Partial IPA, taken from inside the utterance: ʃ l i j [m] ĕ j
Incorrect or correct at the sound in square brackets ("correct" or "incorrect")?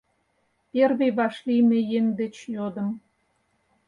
correct